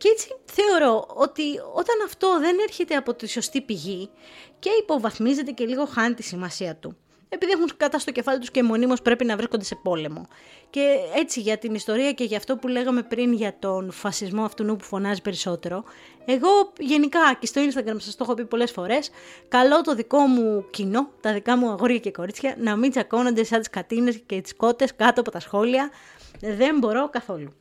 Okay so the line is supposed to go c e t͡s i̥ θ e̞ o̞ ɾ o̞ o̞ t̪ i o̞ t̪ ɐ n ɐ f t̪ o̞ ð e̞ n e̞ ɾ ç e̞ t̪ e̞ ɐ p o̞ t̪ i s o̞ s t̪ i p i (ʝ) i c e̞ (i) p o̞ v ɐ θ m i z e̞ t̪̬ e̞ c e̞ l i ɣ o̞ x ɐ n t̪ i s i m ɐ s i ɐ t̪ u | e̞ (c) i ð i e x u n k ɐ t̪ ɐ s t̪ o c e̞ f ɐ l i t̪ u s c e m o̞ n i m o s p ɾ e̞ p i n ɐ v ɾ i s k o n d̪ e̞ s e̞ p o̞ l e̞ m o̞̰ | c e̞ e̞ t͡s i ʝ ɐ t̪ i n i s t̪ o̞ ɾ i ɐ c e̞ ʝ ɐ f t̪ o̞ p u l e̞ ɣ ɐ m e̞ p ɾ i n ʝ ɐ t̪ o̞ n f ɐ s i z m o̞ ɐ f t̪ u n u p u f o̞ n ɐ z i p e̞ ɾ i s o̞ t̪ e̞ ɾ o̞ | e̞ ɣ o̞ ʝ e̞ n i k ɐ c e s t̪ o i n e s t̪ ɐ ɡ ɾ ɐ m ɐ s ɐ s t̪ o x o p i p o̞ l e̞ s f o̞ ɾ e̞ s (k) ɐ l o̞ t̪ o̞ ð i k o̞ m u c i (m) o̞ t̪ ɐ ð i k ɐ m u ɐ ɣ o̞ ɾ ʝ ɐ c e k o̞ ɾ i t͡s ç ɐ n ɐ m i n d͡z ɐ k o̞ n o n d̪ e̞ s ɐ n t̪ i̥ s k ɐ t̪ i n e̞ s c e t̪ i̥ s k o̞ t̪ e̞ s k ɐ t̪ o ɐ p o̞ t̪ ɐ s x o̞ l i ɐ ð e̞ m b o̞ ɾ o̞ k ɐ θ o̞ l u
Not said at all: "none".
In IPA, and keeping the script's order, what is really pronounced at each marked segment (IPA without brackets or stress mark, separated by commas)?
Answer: ʝ, i, p, k, n